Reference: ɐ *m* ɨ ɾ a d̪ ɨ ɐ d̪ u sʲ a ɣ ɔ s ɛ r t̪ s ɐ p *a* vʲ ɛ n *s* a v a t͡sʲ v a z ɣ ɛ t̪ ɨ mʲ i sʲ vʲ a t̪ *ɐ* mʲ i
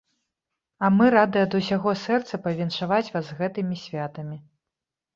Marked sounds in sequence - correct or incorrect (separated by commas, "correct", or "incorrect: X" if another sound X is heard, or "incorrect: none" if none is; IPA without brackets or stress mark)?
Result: correct, incorrect: ɐ, incorrect: ʂ, correct